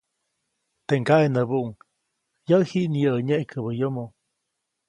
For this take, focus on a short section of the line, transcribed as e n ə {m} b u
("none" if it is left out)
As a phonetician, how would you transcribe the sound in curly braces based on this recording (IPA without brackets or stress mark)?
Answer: none